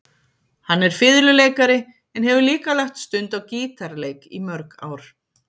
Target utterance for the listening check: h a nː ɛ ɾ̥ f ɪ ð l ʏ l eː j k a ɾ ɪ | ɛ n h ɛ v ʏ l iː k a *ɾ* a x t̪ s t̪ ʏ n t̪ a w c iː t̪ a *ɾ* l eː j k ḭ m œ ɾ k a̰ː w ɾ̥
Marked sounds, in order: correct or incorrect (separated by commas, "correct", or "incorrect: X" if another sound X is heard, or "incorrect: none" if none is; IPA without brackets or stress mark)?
incorrect: l, correct